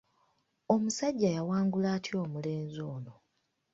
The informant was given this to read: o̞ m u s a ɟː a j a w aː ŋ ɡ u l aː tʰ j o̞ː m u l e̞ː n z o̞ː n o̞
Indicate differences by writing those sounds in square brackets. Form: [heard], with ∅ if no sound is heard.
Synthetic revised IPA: o̞ m u s a ɟː a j a w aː ŋ ɡ u l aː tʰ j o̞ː m u l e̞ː n z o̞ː n o̞